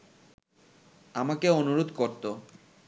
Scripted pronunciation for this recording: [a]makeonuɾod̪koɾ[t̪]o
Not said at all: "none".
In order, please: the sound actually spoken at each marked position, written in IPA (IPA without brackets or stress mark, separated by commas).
a, t̪